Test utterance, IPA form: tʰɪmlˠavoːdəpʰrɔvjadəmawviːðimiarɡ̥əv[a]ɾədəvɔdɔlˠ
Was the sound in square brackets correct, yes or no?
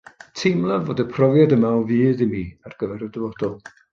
no